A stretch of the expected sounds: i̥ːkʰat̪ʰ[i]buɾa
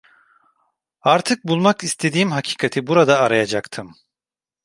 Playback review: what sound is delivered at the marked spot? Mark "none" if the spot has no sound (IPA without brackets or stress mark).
i